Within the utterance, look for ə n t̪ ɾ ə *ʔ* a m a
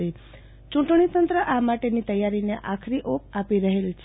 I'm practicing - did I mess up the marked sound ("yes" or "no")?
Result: no